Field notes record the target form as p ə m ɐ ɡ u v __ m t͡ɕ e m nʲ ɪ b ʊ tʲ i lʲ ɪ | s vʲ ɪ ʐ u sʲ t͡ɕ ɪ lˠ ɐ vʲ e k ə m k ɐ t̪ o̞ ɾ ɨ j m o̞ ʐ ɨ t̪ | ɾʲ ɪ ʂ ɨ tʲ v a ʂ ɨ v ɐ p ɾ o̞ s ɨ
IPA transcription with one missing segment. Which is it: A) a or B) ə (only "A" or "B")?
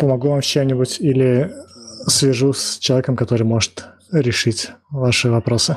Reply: A